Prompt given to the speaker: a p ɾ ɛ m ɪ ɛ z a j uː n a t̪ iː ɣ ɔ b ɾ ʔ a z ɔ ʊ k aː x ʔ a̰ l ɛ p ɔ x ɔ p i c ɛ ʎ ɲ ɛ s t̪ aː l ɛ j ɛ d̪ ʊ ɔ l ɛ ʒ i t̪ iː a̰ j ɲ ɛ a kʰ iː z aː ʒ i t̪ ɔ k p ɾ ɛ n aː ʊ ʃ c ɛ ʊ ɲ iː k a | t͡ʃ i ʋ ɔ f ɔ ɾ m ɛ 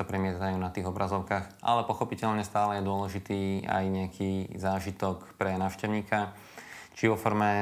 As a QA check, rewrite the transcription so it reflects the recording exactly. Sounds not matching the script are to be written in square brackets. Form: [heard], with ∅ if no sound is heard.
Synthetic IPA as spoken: a p ɾ ɛ m ɪ ɛ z a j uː n a t̪ iː ɣ ɔ b ɾ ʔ a z ɔ ʊ k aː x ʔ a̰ l ɛ p ɔ x ɔ p i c ɛ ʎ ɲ ɛ s t̪ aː l ɛ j ɛ d̪ ʊ ɔ l ɛ ʒ i t̪ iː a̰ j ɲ ɛ a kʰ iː z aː ʒ i t̪ ɔ k p ɾ ɛ n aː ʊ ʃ c ɛ ʊ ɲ iː k a | t͡ʃ i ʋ ɔ f ɔ ɾ m ɛ